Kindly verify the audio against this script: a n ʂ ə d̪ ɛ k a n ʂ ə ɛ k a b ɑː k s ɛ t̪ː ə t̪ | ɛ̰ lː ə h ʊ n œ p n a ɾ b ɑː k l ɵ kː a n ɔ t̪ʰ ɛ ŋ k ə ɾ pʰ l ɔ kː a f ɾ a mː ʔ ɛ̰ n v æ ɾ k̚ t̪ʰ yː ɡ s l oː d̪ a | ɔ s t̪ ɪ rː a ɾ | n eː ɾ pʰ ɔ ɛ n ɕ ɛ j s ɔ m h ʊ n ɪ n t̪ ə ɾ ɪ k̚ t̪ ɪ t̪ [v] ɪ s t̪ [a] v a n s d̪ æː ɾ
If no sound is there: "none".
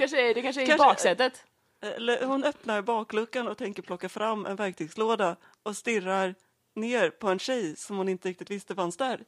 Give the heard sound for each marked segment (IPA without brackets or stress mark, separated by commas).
v, ə